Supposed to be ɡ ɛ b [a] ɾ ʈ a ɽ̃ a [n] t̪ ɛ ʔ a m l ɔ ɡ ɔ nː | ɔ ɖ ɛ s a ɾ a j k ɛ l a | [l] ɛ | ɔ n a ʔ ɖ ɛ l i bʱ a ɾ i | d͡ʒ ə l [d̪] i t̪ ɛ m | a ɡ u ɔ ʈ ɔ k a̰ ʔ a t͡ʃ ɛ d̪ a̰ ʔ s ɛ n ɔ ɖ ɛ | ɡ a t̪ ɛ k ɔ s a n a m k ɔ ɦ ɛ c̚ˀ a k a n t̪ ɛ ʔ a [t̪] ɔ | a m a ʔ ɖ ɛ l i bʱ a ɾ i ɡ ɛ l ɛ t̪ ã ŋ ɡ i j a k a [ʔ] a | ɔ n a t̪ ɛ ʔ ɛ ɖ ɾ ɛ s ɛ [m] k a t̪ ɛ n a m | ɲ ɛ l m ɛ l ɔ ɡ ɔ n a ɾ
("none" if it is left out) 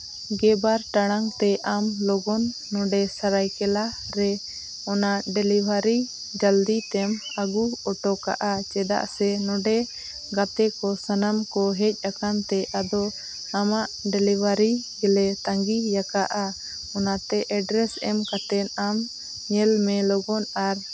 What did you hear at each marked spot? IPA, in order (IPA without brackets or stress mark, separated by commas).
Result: a, ŋ, ɾ, d̪, d̪, ʔ, m